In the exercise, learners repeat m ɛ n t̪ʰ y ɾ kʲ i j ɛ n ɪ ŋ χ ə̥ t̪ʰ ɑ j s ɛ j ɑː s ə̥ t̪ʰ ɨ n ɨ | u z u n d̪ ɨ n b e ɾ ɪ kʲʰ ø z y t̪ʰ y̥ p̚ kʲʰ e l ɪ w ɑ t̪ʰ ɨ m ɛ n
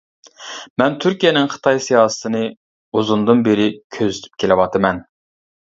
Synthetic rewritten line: m ɛ n t̪ʰ y ɾ kʲ i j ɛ n ɪ ŋ χ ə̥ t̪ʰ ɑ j s i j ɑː s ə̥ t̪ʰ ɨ n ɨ | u z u n d̪ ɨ n b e ɾ ɪ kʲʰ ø z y t̪ʰ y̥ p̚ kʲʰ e l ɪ w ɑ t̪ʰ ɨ m ɛ n

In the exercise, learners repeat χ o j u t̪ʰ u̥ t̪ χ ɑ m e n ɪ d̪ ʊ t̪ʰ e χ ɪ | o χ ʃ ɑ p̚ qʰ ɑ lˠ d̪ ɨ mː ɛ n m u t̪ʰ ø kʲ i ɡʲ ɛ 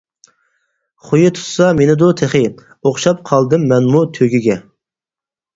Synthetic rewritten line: χ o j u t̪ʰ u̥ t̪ s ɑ m e n ɪ d̪ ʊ t̪ʰ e χ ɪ | o χ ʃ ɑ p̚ qʰ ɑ lˠ d̪ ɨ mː ɛ n m u t̪ʰ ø ɡʲ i ɡʲ ɛ

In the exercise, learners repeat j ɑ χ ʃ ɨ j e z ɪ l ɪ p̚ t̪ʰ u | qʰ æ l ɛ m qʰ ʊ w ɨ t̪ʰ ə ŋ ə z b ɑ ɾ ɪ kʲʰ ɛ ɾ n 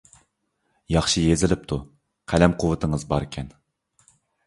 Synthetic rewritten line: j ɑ χ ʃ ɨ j e z ɪ l ɪ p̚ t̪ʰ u | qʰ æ l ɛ m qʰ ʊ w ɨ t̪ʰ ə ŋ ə z b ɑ ɾ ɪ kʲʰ ɛ n

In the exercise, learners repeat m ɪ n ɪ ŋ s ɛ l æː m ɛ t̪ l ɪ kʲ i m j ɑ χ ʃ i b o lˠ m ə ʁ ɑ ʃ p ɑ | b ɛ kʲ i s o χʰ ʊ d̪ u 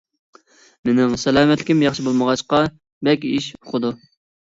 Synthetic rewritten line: m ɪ n ɪ ŋ s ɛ l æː m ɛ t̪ l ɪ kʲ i m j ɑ χ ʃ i b o lˠ m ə ʁ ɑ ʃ q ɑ | b ɛ kʲ i ʃ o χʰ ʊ d̪ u

